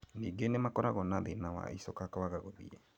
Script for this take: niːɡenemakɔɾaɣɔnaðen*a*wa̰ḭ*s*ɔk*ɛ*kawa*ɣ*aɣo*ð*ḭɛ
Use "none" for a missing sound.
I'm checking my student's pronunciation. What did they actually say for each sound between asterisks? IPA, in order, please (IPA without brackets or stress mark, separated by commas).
a, s, a, ɣ, ð